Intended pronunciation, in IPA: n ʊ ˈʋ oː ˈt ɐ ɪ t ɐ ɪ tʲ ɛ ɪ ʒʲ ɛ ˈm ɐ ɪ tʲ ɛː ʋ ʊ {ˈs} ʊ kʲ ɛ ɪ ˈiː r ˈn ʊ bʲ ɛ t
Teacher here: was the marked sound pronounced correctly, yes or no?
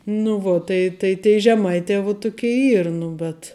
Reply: no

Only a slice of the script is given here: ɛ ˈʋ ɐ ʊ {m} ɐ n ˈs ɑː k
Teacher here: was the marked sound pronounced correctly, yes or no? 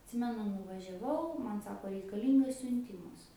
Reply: yes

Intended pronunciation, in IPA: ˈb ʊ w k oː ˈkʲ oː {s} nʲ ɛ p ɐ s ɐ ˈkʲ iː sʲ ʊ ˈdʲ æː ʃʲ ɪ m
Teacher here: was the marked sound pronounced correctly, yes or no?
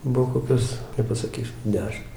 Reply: yes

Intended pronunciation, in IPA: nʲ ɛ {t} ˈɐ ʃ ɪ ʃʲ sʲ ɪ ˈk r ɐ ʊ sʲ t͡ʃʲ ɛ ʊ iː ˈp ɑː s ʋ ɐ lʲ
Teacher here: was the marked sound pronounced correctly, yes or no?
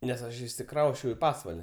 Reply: no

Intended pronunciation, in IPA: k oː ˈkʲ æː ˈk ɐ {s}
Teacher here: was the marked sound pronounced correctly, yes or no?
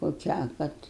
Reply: no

